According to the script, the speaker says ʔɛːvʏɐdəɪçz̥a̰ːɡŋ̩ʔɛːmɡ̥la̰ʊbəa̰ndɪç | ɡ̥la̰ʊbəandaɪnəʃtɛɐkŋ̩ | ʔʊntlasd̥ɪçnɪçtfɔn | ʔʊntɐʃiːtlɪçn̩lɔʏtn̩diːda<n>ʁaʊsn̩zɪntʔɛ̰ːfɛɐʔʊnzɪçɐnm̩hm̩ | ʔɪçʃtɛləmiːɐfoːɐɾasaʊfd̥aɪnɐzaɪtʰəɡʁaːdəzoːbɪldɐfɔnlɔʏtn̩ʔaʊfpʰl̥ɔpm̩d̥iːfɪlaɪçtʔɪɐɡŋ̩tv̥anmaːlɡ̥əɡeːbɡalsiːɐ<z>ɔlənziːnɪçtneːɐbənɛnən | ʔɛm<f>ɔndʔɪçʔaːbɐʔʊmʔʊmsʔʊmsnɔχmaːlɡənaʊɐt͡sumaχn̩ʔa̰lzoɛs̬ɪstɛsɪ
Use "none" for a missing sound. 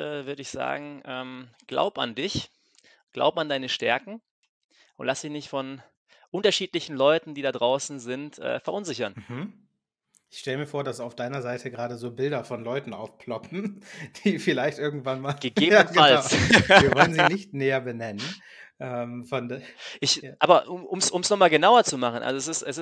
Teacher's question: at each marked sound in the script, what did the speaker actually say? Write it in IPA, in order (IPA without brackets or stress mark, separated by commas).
d, v, f